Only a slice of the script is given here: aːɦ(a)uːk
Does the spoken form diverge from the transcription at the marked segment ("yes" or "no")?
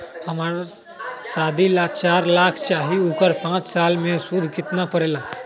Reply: yes